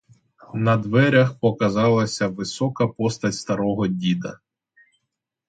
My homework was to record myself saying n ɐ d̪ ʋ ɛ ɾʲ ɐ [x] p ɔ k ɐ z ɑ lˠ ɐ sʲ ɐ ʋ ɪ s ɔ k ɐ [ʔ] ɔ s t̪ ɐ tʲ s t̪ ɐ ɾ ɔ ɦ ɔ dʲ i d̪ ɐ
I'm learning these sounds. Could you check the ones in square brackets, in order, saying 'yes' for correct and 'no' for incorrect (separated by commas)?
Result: yes, no